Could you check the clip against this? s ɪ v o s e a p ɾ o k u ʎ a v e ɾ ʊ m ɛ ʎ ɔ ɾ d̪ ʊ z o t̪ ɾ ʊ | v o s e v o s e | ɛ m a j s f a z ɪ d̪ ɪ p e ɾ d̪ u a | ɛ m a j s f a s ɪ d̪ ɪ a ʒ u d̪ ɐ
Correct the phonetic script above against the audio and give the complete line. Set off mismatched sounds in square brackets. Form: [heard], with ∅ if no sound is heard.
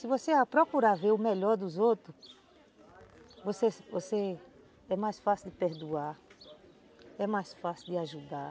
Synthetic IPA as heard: s ɪ v o s e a p ɾ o k u [ɾ] a v e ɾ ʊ m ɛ ʎ ɔ ɾ d̪ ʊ z o t̪ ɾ ʊ | v o s e v o s e | ɛ m a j s f a [s] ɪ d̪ ɪ p e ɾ d̪ u a | ɛ m a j s f a s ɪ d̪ ɪ a ʒ u d̪ [a]